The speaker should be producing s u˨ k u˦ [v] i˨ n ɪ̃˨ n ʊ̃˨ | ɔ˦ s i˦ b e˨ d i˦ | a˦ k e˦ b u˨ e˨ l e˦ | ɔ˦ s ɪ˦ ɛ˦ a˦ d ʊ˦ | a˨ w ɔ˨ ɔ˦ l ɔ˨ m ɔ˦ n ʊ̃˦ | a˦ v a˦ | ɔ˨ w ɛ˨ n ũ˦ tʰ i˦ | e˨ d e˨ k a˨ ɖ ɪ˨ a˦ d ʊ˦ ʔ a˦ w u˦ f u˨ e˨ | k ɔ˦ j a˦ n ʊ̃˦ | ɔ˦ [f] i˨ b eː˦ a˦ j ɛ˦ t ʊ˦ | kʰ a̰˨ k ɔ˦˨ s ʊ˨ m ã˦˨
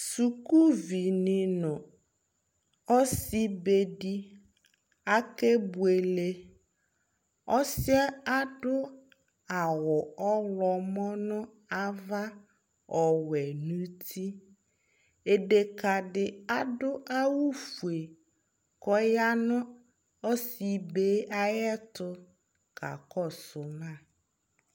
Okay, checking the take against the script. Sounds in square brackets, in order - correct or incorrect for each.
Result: correct, incorrect: s

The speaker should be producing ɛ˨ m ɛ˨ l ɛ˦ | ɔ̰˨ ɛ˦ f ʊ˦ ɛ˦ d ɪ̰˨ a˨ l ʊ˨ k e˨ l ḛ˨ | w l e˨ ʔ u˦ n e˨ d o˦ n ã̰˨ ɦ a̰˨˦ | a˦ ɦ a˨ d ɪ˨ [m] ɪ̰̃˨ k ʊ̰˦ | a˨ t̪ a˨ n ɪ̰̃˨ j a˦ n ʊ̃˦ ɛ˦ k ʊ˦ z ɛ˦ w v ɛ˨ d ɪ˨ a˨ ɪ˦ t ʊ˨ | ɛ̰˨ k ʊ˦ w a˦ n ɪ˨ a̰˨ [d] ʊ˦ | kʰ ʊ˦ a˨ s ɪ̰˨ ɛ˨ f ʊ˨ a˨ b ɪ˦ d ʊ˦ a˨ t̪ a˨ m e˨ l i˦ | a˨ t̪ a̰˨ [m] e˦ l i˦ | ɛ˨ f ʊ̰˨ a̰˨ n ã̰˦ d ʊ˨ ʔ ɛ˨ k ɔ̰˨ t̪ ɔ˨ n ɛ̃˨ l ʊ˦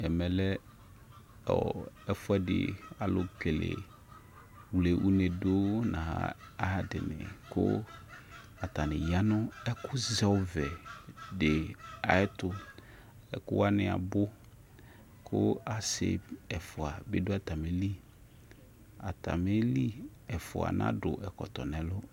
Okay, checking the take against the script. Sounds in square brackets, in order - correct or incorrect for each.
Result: incorrect: n, incorrect: b, correct

